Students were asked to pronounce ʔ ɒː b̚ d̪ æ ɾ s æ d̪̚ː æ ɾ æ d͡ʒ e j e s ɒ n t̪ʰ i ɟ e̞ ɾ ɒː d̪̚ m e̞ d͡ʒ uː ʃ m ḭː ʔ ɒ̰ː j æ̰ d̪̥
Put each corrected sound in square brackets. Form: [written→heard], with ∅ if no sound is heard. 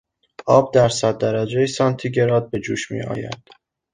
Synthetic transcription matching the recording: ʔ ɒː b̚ d̪ æ ɾ s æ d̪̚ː æ ɾ æ d͡ʒ e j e s ɒ n t̪ʰ i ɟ e̞ ɾ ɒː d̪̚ [m→b] e̞ d͡ʒ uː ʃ m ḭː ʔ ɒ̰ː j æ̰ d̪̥